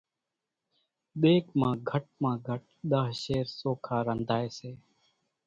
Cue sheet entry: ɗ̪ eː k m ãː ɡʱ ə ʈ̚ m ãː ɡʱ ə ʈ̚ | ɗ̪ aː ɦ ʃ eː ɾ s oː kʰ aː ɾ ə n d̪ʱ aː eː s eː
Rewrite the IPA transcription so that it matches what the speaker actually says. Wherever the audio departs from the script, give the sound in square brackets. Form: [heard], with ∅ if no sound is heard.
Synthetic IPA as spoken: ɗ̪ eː k m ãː ɡʱ ə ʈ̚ m ãː ɡʱ ə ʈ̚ | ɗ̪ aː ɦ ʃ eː ɾ s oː kʰ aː ɾ ə n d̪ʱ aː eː s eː